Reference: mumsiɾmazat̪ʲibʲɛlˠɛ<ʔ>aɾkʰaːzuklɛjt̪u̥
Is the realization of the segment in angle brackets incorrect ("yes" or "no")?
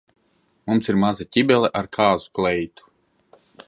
no